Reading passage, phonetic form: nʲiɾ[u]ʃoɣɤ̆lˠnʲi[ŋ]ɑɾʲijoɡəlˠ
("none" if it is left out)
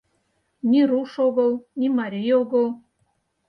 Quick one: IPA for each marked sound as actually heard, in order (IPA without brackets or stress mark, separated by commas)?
u, m